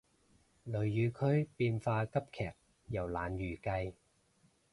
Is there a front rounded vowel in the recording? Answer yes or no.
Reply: yes